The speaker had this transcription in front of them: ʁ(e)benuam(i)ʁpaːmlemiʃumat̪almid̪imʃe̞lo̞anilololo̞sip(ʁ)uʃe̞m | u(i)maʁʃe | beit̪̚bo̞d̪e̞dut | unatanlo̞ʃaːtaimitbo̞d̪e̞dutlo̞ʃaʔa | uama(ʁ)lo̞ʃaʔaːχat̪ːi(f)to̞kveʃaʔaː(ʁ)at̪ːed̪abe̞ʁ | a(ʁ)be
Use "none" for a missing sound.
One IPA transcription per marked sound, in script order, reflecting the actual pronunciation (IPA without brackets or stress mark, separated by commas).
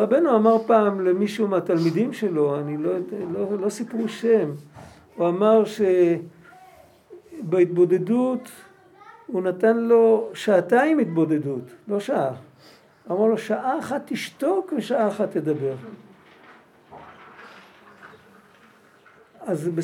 a, a, ʁ, a, ʁ, ʃ, χ, z